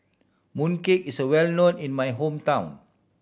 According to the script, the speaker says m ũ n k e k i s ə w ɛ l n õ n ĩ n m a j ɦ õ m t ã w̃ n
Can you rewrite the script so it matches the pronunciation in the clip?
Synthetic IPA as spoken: m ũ n k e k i s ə w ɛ l n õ n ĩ n m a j ɦ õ m t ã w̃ n